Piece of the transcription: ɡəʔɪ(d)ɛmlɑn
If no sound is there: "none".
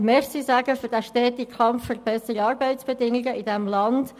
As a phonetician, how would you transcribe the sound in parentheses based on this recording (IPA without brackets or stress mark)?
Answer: d